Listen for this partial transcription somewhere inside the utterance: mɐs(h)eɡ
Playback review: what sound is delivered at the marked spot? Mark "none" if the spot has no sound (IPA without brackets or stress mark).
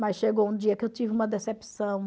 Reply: ʃ